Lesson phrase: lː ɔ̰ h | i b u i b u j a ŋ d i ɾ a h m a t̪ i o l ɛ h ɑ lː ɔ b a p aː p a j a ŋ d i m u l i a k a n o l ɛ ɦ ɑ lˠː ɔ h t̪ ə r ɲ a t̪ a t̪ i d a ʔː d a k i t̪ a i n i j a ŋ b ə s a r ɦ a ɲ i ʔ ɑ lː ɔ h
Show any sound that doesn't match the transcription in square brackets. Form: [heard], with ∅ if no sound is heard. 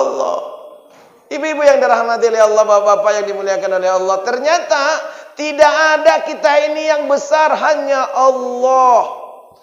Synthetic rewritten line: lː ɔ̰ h | i b u i b u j a ŋ d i ɾ a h m a t̪ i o l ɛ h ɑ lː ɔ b a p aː p a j a ŋ d i m u l i a k a n o l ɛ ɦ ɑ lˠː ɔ h t̪ ə r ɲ a t̪ a t̪ i d a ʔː d a k i t̪ a i n i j a ŋ b ə s a r ɦ a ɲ [a] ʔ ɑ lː ɔ h